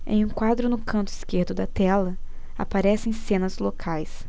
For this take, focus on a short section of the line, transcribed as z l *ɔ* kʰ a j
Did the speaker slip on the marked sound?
yes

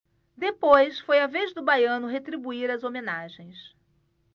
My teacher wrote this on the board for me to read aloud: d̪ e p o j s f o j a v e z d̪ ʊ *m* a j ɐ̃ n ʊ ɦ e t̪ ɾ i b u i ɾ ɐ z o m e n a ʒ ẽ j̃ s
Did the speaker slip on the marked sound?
yes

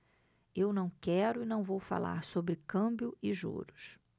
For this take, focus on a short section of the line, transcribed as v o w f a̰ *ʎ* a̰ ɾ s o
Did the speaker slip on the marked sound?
yes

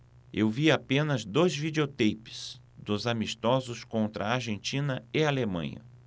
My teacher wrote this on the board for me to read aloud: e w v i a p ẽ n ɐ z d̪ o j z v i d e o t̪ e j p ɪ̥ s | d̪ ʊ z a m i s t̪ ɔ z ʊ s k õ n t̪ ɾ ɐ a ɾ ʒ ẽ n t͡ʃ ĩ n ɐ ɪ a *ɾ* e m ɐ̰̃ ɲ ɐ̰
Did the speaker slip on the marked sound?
yes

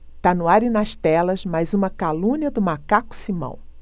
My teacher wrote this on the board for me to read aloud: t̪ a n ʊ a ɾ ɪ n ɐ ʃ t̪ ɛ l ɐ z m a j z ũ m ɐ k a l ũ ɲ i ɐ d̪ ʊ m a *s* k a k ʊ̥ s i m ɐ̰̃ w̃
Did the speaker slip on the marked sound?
yes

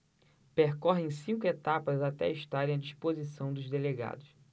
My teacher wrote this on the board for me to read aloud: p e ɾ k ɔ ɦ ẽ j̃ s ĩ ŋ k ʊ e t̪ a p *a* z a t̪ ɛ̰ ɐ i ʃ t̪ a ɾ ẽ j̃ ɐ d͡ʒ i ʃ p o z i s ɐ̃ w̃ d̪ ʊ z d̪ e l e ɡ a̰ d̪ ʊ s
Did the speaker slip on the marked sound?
yes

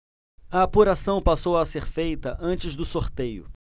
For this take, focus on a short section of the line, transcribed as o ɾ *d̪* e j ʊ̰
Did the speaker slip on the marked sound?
yes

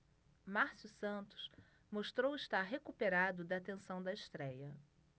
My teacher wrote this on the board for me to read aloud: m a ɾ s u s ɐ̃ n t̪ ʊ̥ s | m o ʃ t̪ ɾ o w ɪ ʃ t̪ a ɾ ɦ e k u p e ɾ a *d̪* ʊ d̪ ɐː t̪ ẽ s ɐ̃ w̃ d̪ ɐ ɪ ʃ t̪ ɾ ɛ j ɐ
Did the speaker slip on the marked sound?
no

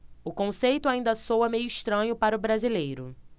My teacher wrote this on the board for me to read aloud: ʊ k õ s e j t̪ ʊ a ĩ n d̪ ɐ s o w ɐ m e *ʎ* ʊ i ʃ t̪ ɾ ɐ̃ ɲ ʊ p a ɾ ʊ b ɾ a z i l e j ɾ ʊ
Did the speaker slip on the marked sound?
yes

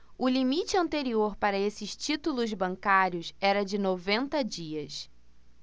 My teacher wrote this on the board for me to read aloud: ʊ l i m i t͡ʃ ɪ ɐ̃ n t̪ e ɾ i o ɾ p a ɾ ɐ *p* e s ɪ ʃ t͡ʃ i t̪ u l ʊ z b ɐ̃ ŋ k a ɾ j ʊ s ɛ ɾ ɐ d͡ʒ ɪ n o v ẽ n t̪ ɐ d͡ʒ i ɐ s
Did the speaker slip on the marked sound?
yes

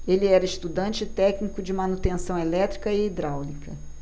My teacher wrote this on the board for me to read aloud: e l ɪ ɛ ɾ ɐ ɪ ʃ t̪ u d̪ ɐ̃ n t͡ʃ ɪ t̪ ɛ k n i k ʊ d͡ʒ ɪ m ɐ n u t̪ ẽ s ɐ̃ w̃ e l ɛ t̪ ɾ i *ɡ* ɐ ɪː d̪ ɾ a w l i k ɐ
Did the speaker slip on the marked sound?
yes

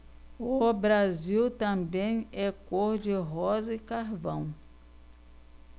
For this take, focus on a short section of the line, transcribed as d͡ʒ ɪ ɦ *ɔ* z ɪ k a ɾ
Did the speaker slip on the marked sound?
no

